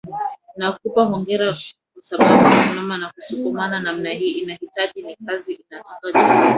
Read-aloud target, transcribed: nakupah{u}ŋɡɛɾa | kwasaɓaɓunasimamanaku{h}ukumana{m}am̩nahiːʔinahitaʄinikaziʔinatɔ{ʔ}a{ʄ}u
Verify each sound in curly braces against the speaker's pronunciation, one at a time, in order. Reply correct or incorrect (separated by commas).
incorrect, incorrect, incorrect, incorrect, correct